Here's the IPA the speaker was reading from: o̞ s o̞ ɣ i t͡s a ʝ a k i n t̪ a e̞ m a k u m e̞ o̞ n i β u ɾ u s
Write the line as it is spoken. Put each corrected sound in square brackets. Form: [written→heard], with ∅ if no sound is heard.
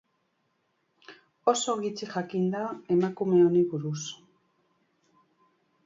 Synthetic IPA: o̞ s o̞ ɣ i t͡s [a→i] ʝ a k i n [t̪→d̪] a e̞ m a k u m e̞ o̞ n i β u ɾ u s